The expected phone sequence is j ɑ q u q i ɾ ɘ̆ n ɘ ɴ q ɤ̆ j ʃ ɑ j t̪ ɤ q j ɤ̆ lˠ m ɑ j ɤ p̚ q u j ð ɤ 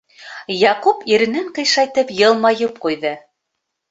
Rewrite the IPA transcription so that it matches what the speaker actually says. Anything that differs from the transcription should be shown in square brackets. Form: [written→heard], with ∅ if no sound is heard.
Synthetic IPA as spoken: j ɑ q u [q→p] i ɾ ɘ̆ n ɘ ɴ q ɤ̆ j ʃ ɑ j t̪ ɤ [q→p] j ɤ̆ lˠ m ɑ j ɤ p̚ q u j ð ɤ